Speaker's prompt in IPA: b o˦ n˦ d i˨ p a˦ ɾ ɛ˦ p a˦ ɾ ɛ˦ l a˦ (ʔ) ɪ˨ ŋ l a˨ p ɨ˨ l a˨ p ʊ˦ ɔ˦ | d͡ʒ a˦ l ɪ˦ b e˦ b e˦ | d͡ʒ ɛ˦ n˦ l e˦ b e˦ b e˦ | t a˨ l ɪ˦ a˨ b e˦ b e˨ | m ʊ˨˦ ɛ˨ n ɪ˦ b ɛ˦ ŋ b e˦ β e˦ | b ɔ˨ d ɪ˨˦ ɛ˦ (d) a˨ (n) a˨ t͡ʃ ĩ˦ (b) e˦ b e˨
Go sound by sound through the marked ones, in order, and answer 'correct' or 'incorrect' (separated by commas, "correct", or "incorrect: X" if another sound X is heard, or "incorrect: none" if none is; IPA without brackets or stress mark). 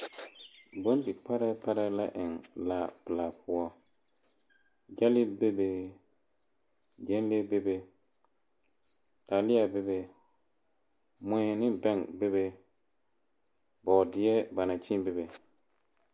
correct, incorrect: b, correct, correct